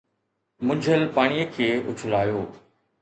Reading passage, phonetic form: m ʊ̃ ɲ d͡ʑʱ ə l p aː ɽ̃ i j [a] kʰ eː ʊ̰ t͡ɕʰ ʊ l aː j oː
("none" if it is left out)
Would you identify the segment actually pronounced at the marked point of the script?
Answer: ə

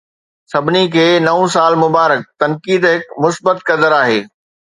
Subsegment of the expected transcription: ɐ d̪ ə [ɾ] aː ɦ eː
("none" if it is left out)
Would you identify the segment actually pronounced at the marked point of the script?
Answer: ɾ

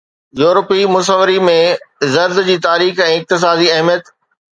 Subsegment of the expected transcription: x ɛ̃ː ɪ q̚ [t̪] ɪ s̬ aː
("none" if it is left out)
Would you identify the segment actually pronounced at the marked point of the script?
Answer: t̪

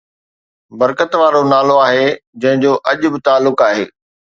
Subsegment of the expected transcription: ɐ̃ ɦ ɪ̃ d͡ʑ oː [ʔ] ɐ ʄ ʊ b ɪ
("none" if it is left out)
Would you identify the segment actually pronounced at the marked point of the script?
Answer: ʔ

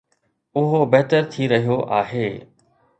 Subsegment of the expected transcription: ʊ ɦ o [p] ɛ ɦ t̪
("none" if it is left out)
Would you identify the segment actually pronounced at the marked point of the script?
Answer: b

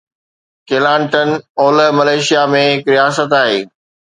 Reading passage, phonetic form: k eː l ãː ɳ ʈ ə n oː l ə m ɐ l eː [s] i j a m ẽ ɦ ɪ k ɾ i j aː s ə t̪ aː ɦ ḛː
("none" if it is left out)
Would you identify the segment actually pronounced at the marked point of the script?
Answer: ʃ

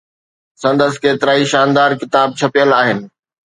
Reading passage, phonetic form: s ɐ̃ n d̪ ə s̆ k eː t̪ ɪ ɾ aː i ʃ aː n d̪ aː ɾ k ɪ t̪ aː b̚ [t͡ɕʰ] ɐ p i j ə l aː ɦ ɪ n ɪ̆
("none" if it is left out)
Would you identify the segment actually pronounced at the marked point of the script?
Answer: t͡ɕʰ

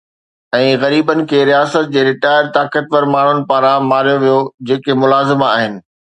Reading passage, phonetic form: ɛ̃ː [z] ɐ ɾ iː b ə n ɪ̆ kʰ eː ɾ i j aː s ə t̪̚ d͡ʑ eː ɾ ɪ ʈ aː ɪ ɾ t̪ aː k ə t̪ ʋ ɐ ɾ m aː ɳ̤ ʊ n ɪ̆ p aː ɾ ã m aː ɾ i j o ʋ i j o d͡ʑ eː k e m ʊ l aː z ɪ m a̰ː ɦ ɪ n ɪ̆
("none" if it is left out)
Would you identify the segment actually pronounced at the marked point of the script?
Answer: ɣ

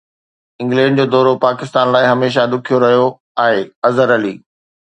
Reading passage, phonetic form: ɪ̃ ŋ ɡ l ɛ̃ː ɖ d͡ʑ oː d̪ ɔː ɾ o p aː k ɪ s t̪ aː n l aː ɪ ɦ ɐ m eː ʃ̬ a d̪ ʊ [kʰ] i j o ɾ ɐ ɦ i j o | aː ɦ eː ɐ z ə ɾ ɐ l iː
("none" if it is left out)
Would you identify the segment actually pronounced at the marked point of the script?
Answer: kʰ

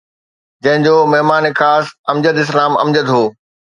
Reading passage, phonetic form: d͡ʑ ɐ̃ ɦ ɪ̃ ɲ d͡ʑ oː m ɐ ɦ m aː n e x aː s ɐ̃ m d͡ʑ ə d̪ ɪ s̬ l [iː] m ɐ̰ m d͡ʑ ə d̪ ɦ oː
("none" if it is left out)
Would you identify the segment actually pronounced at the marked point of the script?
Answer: aː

